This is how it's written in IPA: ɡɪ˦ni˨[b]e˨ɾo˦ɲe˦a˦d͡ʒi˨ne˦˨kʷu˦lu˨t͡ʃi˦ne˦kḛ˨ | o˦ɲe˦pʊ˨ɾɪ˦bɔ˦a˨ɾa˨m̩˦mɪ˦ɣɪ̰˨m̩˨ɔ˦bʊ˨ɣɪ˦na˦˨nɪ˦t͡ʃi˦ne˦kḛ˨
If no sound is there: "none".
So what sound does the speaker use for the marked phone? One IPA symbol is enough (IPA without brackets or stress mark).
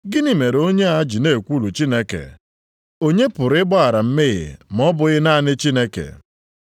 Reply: m